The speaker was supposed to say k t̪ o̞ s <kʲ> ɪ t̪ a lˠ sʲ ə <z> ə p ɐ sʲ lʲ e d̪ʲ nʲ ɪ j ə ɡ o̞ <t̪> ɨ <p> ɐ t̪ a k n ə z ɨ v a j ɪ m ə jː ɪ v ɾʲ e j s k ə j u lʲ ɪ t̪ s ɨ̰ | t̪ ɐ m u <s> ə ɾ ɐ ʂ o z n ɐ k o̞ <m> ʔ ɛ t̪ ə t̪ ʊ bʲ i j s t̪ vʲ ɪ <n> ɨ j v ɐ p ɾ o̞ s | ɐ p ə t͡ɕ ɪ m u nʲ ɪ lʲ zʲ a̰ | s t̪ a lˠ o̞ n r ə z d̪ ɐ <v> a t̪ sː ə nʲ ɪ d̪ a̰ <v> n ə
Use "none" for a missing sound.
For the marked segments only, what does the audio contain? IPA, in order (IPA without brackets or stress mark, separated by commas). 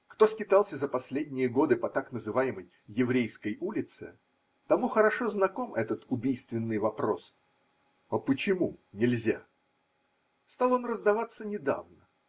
kʲ, z, d̪, p, x, m, nː, v, v